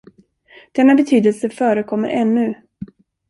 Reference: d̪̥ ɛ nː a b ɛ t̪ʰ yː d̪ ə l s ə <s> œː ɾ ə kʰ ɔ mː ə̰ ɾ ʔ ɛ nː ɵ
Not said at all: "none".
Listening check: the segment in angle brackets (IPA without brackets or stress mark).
f